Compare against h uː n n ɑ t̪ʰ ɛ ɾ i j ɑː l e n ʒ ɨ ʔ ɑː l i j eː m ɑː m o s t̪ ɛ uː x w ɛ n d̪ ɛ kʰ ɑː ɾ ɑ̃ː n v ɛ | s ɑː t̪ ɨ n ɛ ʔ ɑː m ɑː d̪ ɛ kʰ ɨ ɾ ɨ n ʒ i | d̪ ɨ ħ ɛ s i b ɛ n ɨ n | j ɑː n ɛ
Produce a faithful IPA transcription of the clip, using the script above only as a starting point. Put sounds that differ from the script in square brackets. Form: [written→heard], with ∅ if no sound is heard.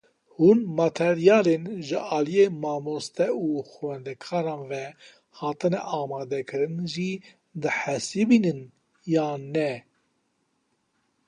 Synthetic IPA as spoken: h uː n [n→m] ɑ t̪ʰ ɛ ɾ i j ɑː l e n ʒ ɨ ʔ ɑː l i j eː m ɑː m o s t̪ ɛ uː x w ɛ n d̪ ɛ kʰ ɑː ɾ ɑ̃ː n v ɛ | [s→h] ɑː t̪ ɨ n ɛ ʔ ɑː m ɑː d̪ ɛ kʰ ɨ ɾ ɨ n ʒ i | d̪ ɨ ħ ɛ s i b [ɛ→i] n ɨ n | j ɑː n ɛ